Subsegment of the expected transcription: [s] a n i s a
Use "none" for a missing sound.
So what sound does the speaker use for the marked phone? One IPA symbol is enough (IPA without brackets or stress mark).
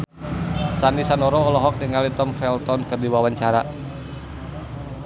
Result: s